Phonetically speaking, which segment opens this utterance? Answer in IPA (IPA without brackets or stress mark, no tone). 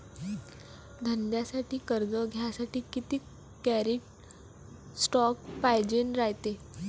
d̪ʱ